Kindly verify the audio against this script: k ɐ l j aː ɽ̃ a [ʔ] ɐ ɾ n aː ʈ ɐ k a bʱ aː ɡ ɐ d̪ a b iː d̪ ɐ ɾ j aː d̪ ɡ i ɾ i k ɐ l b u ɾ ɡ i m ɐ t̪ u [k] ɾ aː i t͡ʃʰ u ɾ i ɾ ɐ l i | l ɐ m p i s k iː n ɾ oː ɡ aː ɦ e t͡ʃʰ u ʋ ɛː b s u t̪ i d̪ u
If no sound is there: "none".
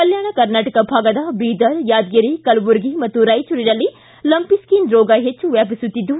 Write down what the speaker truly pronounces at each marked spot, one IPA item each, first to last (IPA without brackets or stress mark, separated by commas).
k, none